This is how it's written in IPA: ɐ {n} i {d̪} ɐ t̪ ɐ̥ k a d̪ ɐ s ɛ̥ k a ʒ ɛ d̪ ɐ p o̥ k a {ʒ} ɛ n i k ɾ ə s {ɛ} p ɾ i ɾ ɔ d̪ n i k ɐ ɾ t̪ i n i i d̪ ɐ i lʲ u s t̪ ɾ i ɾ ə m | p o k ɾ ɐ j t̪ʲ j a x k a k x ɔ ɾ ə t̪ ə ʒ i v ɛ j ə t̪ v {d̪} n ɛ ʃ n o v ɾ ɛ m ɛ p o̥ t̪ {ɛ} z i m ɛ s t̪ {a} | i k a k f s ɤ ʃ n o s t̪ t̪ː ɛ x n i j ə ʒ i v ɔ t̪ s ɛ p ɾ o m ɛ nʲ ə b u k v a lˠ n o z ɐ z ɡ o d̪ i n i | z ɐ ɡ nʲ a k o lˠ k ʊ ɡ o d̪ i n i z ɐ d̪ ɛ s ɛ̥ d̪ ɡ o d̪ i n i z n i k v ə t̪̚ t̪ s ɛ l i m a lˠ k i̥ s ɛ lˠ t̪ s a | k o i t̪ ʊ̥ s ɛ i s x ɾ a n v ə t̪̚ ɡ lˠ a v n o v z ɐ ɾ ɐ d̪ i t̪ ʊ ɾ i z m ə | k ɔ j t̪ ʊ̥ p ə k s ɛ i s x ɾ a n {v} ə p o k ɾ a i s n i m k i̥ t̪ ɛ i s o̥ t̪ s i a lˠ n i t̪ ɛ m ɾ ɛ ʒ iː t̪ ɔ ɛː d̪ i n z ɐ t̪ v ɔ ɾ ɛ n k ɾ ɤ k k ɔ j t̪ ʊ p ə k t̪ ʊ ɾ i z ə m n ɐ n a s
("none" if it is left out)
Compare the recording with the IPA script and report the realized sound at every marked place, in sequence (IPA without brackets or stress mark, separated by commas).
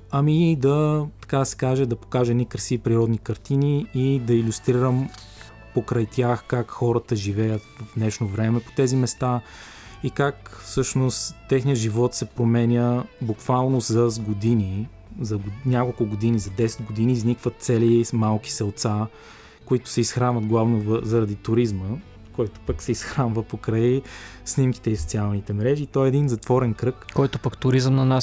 m, d̪, ʒ, i, d̪, ɛ, a, v